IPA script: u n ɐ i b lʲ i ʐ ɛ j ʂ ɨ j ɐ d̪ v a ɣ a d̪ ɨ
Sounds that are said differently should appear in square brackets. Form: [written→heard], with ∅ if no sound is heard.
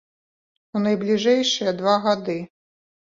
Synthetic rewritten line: u n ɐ [i→j] b lʲ i ʐ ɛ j ʂ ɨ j ɐ d̪ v a ɣ a d̪ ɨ